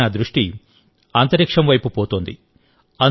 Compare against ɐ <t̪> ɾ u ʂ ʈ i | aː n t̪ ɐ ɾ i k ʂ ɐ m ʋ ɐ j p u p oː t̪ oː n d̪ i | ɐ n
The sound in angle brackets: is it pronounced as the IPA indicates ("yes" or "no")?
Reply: no